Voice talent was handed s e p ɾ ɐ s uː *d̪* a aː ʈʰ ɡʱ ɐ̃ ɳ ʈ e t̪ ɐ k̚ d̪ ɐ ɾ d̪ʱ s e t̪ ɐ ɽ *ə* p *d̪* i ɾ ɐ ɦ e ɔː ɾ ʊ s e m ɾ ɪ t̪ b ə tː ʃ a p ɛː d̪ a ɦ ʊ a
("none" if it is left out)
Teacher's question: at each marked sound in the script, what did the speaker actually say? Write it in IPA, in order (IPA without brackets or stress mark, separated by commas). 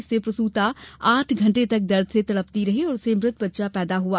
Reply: t̪, ə, t̪